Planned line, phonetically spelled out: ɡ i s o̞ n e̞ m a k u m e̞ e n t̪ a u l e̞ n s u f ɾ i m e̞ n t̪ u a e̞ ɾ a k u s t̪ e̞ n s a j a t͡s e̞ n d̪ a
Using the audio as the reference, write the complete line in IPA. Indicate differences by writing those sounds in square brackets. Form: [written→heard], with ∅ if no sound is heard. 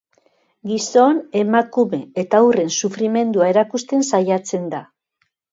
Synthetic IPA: ɡ i s o̞ n e̞ m a k u m e̞ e [n→∅] t̪ a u [l→r] e̞ n s u f ɾ i m e̞ n [t̪→d̪] u a e̞ ɾ a k u s t̪ e̞ n s a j a t͡s e̞ n d̪ a